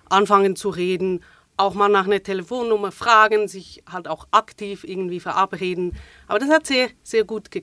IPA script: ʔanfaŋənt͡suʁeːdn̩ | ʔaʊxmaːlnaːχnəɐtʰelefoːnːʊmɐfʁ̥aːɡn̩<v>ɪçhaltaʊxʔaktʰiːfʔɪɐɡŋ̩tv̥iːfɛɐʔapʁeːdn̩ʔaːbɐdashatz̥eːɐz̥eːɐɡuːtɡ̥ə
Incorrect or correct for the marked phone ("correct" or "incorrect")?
incorrect